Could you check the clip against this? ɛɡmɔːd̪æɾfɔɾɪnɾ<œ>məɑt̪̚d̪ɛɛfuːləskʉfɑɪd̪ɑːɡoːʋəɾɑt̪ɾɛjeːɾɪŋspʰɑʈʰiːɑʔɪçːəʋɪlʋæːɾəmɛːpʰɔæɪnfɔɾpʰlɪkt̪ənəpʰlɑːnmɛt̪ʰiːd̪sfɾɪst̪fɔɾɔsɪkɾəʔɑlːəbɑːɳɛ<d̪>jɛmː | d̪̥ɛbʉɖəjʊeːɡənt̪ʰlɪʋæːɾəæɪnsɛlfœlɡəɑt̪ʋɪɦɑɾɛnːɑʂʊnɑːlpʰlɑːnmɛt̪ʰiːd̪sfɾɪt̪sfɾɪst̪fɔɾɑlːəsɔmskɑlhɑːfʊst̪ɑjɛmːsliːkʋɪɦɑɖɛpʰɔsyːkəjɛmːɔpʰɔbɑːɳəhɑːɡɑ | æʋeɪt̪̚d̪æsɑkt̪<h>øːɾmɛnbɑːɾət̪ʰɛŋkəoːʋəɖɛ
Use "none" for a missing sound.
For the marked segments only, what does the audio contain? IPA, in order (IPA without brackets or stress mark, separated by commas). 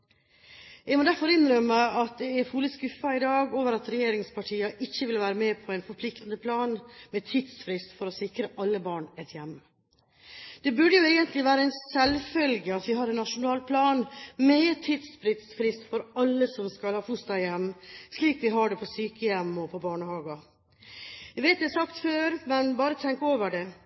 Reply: œ, t̪, f